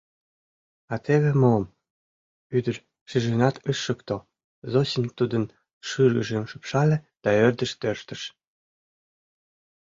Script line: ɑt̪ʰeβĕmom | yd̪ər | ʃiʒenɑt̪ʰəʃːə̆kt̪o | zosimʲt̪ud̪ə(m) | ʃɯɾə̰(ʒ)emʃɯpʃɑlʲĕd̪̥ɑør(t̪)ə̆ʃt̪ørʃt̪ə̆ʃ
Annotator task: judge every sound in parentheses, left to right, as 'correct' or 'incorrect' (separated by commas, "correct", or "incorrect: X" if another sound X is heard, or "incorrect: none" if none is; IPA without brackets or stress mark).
incorrect: n, correct, incorrect: d̪